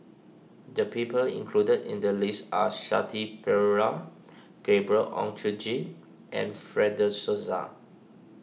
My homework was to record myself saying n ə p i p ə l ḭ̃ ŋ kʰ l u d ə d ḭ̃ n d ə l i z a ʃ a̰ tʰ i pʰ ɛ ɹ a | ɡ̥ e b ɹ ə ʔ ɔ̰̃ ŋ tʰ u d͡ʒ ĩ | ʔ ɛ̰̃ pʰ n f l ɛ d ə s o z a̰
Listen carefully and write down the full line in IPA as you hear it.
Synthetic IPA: d ə p i p ə l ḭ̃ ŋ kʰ l u d ə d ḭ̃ n d ə l i s a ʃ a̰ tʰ i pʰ ɛ ɹ a | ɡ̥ e b ɹ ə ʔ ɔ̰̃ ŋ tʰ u d͡ʒ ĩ | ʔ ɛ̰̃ n f ɹ ɛ d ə s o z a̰